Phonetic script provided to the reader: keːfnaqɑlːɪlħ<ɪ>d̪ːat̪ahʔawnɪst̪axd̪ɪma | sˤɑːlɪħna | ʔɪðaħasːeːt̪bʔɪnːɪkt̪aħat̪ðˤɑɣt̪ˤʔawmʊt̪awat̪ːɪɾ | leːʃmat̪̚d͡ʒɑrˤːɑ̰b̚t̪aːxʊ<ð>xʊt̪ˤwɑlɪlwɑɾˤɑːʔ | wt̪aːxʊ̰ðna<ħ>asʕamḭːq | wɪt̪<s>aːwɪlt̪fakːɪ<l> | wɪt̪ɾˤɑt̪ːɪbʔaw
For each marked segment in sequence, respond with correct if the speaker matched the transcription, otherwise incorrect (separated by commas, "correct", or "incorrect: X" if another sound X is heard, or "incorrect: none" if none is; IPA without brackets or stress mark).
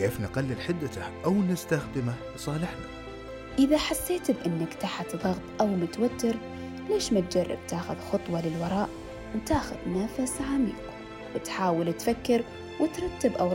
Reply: correct, correct, incorrect: f, incorrect: ħ, incorrect: ɾ